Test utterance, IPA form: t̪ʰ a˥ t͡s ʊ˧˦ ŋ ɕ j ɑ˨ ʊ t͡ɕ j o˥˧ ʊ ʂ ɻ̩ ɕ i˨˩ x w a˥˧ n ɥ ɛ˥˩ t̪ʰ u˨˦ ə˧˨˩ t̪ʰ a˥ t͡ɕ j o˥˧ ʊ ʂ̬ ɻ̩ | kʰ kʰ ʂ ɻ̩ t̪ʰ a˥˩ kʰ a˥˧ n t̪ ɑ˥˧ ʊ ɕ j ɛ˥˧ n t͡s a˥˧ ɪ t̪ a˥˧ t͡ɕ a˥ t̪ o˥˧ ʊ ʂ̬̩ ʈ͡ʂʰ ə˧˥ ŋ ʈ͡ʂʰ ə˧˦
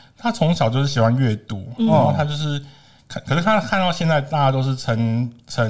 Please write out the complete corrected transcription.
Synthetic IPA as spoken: t̪ʰ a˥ t͡sʰ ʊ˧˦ ŋ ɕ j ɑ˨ ʊ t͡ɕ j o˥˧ ʊ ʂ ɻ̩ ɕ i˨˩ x w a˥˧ n ɥ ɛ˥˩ t̪ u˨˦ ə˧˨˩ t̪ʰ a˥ t͡ɕ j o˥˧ ʊ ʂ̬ ɻ̩ | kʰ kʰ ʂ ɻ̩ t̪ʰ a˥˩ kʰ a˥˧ n t̪ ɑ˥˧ ʊ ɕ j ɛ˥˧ n t͡s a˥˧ ɪ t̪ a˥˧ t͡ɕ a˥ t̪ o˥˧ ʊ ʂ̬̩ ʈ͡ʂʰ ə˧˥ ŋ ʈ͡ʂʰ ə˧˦